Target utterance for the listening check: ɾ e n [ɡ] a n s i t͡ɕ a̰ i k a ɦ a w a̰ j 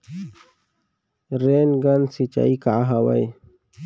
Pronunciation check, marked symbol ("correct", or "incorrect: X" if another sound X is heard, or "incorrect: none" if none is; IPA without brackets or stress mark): correct